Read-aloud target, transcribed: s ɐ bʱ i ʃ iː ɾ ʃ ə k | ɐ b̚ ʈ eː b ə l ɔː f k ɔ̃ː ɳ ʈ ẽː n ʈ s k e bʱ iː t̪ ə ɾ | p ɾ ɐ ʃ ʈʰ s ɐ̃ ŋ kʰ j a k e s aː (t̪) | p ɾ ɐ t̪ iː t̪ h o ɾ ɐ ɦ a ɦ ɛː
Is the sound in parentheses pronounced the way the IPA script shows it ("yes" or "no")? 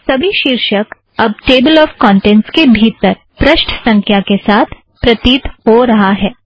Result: no